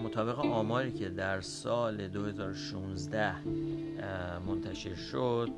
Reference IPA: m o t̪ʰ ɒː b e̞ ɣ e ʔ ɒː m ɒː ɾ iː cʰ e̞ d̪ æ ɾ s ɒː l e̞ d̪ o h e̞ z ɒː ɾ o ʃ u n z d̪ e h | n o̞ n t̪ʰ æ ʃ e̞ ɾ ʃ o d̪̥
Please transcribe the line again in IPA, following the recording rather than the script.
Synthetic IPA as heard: m o t̪ʰ ɒː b e̞ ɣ e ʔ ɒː m ɒː ɾ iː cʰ e̞ d̪ æ ɾ s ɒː l e̞ d̪ o h e̞ z ɒː ɾ o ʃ u n z d̪ æ h | m o̞ n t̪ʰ æ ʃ e̞ ɾ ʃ o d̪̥